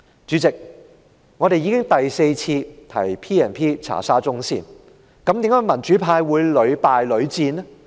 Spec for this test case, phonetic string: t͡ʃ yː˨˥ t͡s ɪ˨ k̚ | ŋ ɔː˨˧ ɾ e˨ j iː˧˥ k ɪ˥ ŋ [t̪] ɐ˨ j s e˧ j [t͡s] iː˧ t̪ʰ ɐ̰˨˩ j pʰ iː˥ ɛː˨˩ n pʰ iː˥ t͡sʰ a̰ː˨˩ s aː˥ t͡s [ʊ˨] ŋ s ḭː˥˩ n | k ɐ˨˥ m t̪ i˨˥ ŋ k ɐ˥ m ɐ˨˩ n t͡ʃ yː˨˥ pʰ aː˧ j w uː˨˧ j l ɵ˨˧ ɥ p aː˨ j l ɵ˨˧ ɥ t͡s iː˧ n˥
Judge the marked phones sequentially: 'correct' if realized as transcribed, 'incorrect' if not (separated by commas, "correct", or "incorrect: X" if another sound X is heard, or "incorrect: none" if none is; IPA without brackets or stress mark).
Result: correct, incorrect: t͡sʰ, incorrect: ʊ˥